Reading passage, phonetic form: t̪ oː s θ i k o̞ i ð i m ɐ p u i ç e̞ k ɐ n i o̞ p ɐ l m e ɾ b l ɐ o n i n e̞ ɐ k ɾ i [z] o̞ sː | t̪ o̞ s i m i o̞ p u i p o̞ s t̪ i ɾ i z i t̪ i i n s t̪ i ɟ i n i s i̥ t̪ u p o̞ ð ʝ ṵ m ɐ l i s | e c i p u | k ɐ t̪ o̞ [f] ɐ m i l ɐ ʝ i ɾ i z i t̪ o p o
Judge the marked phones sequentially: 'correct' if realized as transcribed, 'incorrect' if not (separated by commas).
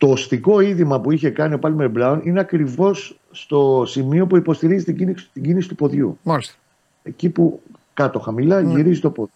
incorrect, incorrect